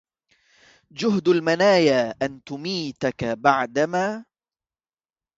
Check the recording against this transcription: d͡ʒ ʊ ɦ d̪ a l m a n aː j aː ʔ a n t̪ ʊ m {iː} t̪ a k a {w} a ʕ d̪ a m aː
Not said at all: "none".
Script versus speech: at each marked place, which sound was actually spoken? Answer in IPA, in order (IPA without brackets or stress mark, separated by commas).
iː, b